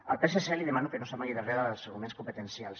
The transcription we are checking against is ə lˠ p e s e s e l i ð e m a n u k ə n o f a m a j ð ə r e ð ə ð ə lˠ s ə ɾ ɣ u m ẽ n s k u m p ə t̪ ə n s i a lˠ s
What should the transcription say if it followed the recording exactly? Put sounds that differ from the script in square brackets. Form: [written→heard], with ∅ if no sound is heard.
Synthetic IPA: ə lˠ p e s e s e l i ð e m a n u k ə n o [f→s] a m a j ð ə r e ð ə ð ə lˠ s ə ɾ ɣ u m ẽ n s k u m p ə t̪ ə n s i a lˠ s